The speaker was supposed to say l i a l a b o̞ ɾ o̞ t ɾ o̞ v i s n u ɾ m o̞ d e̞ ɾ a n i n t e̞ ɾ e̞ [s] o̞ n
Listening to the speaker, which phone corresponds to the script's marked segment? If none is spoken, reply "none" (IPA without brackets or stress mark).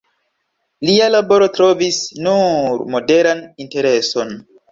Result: s